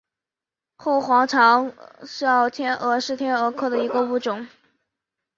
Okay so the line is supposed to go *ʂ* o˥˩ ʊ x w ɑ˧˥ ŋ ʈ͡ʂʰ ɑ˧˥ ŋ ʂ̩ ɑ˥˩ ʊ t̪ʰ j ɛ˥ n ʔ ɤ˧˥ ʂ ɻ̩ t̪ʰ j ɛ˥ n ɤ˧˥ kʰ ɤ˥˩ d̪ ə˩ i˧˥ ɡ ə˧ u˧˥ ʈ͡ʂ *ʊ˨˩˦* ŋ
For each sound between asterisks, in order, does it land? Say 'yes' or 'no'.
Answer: no, yes

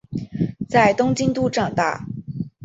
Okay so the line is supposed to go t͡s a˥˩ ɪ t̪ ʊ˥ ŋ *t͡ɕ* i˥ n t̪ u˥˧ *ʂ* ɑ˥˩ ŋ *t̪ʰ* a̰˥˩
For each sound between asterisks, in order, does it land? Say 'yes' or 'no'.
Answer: yes, no, no

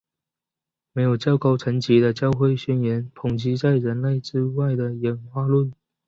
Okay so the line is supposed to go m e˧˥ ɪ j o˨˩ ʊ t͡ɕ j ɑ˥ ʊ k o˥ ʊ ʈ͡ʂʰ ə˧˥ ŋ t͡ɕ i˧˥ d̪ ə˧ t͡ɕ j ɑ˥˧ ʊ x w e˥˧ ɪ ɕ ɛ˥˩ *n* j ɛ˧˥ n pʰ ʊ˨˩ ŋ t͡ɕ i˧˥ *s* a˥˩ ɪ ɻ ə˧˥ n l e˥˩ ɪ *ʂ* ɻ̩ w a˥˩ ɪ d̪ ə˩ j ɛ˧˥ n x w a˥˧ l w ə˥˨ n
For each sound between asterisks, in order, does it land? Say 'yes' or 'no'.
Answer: yes, no, no

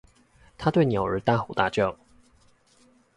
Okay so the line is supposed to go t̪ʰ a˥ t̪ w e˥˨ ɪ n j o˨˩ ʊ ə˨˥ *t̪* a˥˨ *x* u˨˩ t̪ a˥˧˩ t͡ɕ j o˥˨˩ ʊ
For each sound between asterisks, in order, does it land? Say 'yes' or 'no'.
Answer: yes, yes

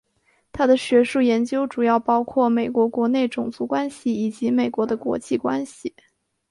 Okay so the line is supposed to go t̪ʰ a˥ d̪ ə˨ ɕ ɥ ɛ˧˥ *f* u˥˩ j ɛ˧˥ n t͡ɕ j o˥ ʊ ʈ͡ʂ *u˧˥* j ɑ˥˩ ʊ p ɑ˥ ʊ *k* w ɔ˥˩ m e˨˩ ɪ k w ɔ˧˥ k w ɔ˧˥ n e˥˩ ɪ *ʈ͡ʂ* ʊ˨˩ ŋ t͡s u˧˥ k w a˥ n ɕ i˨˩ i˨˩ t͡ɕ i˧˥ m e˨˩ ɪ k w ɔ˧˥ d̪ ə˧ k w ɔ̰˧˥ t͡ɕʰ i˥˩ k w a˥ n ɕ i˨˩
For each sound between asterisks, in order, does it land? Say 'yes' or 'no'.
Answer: no, no, no, yes

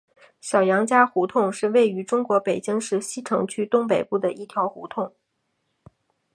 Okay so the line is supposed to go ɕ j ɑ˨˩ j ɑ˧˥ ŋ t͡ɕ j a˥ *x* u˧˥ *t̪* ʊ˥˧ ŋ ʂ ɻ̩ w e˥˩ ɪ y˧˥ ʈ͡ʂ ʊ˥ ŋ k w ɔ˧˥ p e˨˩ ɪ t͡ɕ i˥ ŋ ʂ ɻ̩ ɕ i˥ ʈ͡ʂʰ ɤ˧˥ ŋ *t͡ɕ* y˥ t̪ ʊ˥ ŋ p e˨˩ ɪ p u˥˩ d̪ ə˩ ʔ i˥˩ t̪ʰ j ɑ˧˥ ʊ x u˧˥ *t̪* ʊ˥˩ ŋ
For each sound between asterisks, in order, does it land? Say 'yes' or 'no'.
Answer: yes, no, no, no

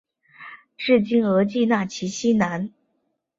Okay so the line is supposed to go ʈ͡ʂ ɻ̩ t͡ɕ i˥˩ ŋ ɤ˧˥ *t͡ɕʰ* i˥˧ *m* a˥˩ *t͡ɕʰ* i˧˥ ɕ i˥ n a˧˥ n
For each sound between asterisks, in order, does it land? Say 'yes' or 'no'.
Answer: no, no, yes

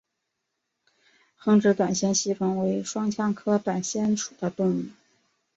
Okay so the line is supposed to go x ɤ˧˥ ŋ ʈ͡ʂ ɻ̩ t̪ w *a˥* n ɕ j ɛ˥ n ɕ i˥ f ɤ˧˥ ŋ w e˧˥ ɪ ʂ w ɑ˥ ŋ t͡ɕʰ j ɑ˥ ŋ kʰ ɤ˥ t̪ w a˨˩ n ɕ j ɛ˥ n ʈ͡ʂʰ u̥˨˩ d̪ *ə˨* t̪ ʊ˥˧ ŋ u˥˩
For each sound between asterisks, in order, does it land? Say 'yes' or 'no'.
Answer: no, no

